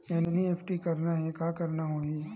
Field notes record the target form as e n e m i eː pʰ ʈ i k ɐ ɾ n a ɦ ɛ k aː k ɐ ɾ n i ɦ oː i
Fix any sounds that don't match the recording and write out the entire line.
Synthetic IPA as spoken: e n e n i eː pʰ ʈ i k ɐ ɾ n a ɦ ɛ k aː k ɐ ɾ n a ɦ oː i

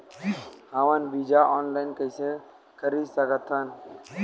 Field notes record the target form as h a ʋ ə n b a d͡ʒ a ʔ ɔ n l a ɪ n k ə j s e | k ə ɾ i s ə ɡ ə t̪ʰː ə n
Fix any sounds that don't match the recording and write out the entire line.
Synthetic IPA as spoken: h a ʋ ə n b i d͡ʒ a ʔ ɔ n l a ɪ n k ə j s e | k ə ɾ i s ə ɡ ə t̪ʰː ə n

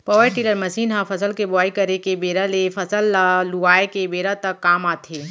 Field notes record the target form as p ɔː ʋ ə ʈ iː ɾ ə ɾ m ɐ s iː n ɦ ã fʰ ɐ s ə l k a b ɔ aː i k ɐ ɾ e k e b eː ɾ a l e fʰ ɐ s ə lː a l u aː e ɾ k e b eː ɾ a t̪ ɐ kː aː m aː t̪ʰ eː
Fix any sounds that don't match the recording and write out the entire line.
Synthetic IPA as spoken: p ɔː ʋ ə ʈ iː l ə ɾ m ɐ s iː n ɦ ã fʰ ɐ s ə l k e b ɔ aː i k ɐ ɾ e k e b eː ɾ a l e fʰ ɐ s ə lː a l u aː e k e b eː ɾ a t̪ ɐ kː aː m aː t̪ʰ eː

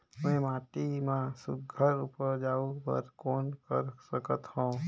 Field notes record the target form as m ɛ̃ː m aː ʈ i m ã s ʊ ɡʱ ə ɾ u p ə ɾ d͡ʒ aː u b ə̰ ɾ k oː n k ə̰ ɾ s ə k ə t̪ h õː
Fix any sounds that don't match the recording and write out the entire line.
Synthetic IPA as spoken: m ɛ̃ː m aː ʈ i m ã s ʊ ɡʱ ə ɾ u p ə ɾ d͡ʒ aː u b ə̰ ɾ k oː n k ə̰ ɾ s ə k ə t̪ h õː

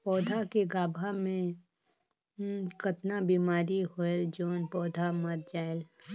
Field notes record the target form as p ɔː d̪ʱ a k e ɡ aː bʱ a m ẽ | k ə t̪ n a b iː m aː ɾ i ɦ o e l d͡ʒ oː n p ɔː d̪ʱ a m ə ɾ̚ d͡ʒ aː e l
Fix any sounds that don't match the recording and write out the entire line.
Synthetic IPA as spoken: p ɔː d̪ʱ a k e ɡ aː bʱ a m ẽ | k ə t̪ n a b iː m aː ɾ i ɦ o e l d͡ʒ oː n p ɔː d̪ʱ a m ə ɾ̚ d͡ʒ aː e l

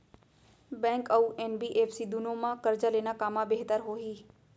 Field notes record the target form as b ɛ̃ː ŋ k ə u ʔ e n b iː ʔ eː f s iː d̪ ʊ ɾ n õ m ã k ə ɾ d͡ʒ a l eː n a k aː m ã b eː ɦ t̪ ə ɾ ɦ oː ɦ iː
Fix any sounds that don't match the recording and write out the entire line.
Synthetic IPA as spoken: b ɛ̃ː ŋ k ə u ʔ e n b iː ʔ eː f s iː d̪ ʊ n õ m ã k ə ɾ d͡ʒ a l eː n a k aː m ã b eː ɦ t̪ ə ɾ ɦ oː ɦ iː

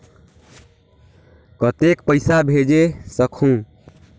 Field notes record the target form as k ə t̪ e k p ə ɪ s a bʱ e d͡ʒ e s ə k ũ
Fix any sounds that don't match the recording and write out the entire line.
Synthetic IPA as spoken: k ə t̪ e k p ə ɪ s a bʱ e d͡ʒ e s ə kʰ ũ

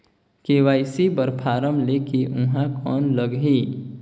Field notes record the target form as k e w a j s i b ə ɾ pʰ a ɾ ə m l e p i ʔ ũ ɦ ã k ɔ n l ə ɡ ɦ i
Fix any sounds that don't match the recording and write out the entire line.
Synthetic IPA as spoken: k e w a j s i b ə ɾ pʰ a ɾ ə m l e k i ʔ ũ ɦ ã k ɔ n l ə ɡ ɦ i

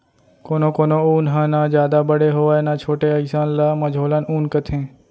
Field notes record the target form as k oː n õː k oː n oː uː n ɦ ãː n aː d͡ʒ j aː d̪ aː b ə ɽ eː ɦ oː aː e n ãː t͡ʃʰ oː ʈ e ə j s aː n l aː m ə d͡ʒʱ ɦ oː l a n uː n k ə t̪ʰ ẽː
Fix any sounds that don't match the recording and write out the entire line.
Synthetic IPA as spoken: k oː n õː k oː n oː uː n ɦ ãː n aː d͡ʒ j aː d̪ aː b ə ɽ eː ɦ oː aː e n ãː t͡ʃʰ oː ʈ e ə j s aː n l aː m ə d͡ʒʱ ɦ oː l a n uː n k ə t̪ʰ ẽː

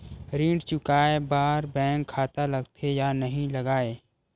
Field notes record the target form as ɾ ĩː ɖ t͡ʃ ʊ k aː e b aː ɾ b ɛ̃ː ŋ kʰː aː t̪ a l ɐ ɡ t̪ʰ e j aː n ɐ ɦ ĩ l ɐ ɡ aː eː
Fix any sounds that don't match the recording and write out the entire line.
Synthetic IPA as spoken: ɾ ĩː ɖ t͡ʃ ʊ k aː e b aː ɾ b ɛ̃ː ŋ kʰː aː t̪ a l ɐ ɡ t̪ʰ e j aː n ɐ ɦ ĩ l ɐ ɡ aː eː

